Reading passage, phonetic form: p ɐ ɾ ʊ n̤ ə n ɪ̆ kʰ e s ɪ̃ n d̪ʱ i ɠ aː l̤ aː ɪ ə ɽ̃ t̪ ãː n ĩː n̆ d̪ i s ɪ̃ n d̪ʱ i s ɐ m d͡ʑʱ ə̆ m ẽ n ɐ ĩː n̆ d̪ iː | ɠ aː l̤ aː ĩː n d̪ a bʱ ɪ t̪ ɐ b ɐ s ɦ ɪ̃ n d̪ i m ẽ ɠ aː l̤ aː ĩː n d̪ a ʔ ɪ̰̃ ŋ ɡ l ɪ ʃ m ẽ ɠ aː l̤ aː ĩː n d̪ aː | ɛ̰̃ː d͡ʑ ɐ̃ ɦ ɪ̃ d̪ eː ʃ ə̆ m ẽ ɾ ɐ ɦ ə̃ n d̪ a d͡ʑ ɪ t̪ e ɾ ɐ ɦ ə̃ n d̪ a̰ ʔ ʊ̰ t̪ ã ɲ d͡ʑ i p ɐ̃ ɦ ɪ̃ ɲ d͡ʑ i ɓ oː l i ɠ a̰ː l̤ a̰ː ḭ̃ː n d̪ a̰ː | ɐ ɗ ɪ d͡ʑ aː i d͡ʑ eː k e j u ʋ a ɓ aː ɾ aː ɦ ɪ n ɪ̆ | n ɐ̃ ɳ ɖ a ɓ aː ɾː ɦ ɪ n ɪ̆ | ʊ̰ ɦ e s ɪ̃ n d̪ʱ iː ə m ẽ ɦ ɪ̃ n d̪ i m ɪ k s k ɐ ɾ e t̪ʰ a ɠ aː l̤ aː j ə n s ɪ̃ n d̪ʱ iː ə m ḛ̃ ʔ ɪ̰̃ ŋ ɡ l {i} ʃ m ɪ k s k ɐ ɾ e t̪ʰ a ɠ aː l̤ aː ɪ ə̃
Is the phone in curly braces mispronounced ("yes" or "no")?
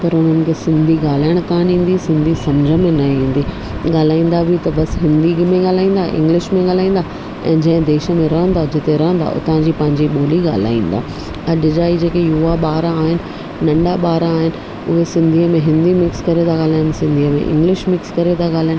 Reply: yes